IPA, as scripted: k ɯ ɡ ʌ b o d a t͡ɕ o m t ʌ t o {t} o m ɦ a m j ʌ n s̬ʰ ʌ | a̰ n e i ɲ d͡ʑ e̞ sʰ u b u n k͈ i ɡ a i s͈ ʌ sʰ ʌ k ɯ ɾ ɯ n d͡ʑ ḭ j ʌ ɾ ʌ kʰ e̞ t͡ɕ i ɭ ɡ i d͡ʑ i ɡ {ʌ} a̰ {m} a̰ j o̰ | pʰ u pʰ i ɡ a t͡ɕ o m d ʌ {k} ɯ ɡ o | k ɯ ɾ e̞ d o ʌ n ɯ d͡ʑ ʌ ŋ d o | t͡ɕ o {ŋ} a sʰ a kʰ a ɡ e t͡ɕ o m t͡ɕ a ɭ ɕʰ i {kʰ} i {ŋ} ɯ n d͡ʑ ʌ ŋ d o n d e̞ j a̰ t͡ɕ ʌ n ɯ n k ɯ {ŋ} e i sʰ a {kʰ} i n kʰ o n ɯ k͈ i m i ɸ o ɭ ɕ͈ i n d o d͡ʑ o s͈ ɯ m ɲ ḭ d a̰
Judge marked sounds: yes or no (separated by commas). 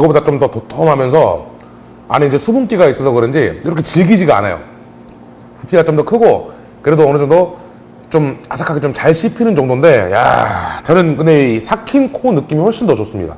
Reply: no, no, no, no, no, no, no, no, yes